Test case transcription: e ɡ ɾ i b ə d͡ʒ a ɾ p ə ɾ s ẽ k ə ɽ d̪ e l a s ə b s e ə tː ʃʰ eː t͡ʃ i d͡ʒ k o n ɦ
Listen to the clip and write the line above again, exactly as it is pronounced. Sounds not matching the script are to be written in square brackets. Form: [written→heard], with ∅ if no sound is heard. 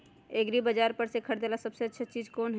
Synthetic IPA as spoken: e ɡ ɾ i b ə d͡ʒ a ɾ p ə ɾ s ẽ [k→kʰ] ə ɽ d̪ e l a s ə b s e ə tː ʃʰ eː t͡ʃ i d͡ʒ k o n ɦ